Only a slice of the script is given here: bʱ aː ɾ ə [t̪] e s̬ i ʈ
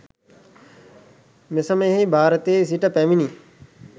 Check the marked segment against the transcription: correct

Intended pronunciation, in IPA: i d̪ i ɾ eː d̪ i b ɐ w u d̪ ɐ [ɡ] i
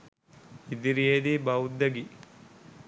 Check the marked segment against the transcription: correct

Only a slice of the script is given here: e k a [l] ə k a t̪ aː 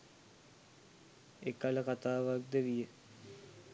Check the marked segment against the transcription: correct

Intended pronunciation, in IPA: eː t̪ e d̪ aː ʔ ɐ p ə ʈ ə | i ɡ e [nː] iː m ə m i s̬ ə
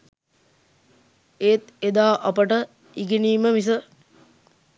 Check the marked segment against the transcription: incorrect: n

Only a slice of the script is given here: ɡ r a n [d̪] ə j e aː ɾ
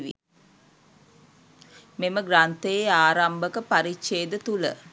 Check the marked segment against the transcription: incorrect: t̪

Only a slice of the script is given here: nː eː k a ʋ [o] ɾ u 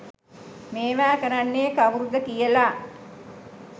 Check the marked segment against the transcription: incorrect: u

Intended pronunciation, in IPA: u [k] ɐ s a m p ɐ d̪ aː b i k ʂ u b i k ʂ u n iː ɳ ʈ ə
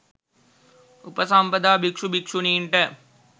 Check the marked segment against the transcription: incorrect: p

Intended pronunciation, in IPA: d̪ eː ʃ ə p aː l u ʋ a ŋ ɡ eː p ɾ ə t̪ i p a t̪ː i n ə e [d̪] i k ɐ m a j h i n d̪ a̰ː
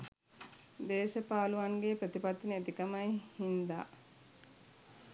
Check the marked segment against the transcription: incorrect: t̪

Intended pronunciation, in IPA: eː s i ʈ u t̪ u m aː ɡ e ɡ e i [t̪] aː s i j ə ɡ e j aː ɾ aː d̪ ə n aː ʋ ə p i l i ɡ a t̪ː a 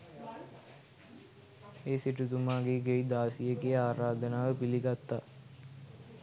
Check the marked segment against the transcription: incorrect: d̪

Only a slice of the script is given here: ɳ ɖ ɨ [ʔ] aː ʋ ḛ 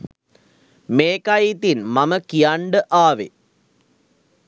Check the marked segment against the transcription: correct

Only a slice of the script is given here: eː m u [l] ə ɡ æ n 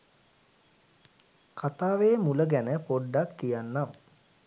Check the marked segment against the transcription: correct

